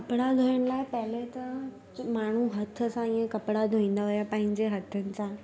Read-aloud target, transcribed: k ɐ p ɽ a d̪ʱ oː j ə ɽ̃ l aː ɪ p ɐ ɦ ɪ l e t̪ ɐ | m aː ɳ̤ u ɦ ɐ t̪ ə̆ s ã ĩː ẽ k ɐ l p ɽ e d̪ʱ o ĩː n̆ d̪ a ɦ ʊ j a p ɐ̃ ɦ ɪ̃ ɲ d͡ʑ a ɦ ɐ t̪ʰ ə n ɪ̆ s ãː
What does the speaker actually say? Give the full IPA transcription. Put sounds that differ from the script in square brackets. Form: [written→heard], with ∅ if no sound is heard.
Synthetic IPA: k ɐ p ɽ a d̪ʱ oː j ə ɽ̃ l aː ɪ p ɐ ɦ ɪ l e t̪ ɐ | m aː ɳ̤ u ɦ ɐ [t̪→t̪ʰ] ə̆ s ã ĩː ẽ k ɐ [l→∅] p ɽ [e→a] d̪ʱ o ĩː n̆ d̪ a ɦ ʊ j a p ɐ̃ ɦ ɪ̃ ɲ d͡ʑ [a→e] ɦ ɐ t̪ʰ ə n ɪ̆ s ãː